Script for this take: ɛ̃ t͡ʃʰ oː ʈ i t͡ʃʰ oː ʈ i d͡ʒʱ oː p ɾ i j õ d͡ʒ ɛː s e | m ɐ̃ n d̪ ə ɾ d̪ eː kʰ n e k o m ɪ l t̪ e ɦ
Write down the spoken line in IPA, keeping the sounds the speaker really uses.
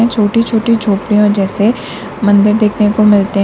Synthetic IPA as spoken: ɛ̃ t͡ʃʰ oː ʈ i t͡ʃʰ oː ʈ i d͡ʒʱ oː p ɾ i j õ d͡ʒ ɛː s e | m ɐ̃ n d̪ ə ɾ d̪ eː kʰ n e k o m ɪ l t̪ e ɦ